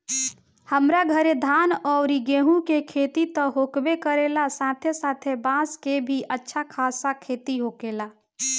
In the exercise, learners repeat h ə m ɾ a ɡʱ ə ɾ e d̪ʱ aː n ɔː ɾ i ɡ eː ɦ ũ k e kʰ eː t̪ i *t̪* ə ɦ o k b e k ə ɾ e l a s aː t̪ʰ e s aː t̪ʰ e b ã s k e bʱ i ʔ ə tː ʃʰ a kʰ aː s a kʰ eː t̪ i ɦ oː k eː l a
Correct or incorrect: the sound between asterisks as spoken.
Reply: correct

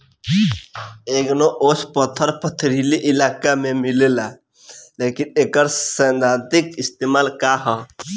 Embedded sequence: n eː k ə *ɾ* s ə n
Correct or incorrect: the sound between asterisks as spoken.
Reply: correct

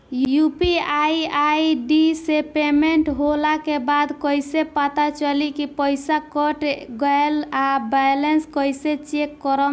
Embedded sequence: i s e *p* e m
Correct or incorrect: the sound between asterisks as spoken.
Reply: correct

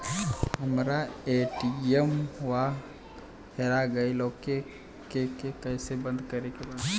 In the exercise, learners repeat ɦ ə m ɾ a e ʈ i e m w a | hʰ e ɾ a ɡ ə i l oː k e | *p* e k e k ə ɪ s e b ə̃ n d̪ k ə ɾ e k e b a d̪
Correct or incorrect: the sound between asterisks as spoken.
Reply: incorrect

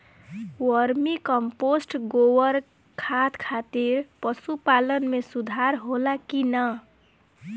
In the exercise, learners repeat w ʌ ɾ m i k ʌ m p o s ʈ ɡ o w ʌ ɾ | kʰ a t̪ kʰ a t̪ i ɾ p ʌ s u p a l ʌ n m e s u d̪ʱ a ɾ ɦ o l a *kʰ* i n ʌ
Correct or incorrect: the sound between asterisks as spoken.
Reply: incorrect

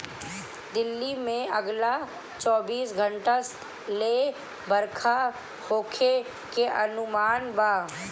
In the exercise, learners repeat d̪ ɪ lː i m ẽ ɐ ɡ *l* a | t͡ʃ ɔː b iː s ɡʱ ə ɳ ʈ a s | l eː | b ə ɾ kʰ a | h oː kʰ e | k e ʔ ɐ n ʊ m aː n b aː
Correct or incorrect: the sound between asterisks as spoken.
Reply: correct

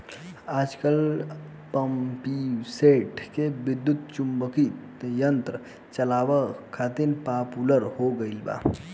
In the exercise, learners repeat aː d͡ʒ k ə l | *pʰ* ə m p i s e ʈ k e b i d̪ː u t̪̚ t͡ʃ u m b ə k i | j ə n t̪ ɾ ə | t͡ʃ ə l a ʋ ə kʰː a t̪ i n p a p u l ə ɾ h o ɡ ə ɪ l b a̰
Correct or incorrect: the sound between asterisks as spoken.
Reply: incorrect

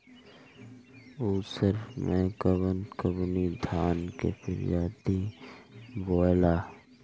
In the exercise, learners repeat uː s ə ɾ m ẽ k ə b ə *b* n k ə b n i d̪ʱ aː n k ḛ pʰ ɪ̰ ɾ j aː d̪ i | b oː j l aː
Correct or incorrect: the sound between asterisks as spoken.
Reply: incorrect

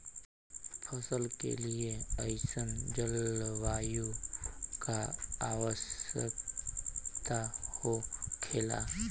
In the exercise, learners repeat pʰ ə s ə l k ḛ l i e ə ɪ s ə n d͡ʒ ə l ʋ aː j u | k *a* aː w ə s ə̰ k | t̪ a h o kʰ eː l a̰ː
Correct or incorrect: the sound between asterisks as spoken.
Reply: correct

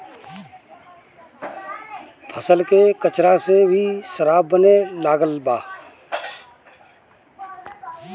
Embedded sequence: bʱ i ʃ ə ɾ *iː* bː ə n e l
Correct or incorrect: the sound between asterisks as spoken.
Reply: incorrect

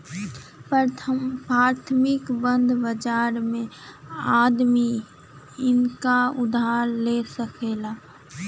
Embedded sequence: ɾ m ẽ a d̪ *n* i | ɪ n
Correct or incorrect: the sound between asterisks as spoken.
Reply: incorrect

